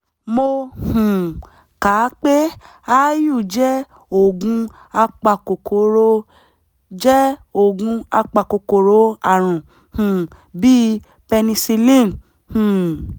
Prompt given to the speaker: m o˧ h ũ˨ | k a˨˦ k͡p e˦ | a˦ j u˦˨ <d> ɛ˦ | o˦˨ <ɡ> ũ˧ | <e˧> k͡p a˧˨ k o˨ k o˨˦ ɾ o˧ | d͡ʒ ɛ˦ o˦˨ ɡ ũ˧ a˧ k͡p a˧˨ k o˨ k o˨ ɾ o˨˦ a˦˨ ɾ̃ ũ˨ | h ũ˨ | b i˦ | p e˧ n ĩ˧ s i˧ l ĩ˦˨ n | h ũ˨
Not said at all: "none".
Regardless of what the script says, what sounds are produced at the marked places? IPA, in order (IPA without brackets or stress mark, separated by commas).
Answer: d͡ʒ, ɡ, a˧